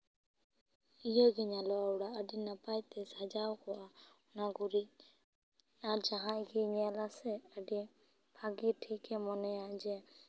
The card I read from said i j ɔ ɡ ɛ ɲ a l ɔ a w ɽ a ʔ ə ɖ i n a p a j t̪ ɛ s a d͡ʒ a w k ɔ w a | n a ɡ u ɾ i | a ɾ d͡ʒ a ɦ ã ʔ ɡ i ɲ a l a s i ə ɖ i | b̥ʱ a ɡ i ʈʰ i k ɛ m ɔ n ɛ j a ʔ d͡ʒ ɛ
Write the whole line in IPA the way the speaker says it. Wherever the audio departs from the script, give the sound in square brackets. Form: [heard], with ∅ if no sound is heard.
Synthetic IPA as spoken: i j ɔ ɡ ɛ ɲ a l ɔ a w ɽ a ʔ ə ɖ i n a p a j t̪ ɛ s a d͡ʒ a w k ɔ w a | n a ɡ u ɾ i | a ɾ d͡ʒ a ɦ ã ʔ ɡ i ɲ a l a s [ɛ] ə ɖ i | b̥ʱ a ɡ i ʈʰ i k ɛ m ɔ n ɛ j a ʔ d͡ʒ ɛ